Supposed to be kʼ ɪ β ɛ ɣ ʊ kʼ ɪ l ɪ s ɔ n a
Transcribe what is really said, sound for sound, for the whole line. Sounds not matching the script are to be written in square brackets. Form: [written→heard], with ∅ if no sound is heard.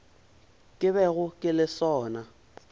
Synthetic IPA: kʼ ɪ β ɛ ɣ ʊ kʼ ɪ l ɪ s [ɔ→ɔː] n a